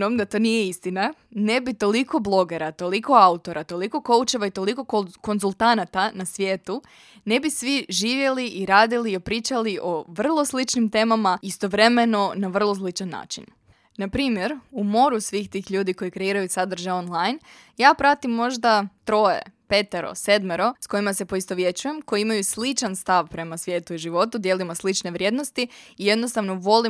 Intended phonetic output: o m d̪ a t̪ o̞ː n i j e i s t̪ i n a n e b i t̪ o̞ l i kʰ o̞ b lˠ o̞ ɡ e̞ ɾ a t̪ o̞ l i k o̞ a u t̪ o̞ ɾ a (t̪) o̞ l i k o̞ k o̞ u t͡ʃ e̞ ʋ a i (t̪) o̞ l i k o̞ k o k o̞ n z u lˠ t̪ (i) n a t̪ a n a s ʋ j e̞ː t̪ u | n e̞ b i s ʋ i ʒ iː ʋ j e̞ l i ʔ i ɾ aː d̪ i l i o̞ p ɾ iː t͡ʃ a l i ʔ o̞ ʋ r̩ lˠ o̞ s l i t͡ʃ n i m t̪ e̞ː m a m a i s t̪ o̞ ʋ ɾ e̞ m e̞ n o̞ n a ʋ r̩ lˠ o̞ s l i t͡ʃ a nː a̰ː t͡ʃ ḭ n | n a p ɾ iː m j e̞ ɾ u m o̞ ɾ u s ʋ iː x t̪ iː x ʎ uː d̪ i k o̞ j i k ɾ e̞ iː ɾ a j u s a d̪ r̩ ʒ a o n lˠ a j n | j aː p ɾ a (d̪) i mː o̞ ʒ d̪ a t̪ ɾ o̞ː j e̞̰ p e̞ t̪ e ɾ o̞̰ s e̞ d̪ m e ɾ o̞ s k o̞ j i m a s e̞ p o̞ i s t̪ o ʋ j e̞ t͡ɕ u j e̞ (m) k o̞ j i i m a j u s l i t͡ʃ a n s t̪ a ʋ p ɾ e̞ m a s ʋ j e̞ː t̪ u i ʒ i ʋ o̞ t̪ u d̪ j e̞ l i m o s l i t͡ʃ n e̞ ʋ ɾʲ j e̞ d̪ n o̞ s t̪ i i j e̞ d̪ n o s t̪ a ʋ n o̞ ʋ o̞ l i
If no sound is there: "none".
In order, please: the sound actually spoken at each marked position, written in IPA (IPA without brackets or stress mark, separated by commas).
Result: t̪, t̪, a, t̪, m